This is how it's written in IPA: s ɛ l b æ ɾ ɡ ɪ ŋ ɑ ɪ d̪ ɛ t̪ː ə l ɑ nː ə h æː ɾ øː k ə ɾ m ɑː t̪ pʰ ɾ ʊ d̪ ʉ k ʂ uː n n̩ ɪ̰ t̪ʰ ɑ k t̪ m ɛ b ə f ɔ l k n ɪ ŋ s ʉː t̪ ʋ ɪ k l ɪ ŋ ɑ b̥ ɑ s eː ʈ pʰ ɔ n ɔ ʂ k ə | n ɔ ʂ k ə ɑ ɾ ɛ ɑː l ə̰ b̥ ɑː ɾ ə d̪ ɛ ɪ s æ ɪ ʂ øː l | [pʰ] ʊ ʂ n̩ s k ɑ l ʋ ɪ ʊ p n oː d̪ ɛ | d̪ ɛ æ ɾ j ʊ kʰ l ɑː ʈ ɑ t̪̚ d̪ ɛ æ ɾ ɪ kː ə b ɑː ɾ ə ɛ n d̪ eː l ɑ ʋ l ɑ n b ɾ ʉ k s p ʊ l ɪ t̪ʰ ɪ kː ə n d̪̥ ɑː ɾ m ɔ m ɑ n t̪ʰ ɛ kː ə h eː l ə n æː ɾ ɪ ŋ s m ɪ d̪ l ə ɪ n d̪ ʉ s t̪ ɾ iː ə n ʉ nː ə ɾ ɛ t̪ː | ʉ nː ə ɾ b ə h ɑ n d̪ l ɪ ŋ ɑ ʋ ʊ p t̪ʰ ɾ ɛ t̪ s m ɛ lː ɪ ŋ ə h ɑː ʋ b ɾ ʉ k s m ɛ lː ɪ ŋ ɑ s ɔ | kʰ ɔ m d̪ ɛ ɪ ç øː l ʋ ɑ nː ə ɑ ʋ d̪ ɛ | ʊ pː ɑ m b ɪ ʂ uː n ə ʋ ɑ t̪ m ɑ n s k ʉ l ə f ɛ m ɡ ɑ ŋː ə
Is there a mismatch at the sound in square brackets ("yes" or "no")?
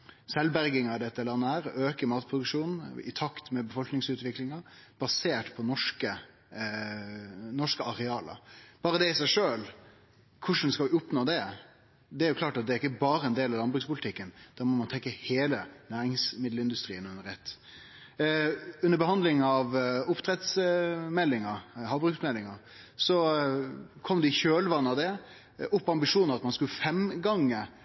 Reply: yes